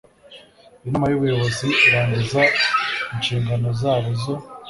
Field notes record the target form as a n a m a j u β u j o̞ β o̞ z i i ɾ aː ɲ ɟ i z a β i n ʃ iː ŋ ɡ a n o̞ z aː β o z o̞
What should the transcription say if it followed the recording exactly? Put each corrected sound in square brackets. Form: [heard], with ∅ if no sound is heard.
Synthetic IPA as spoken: [i] n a m a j u β u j o̞ β o̞ z i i ɾ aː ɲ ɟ i z a [∅] i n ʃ iː ŋ ɡ a n o̞ z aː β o z o̞